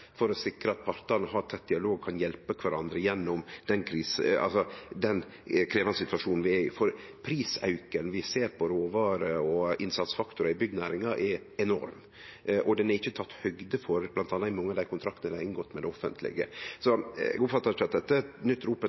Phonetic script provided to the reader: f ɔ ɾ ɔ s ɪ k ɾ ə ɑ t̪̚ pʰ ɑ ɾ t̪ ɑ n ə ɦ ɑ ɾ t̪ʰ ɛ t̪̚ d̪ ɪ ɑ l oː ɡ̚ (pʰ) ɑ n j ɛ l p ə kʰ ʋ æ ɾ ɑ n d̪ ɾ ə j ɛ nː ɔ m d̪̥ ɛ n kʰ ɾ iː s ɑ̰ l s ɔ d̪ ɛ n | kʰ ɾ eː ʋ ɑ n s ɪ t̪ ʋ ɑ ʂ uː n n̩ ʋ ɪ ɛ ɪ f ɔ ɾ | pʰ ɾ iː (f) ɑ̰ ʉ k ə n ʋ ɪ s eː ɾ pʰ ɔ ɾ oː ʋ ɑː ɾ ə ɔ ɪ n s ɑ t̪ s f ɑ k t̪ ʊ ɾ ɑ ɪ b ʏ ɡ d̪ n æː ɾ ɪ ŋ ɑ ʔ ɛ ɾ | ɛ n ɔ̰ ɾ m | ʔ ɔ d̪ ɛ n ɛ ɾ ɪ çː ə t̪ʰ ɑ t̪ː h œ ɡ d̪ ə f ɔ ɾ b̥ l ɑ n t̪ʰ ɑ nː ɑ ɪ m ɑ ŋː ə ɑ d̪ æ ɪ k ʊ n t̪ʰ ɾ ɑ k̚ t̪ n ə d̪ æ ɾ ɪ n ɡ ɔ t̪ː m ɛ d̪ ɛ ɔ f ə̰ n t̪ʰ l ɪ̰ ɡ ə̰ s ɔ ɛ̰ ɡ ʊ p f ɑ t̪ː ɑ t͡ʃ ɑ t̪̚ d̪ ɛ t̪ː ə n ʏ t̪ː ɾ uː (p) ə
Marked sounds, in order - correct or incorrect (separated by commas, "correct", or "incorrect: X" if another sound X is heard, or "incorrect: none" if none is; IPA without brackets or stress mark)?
incorrect: kʰ, incorrect: s, correct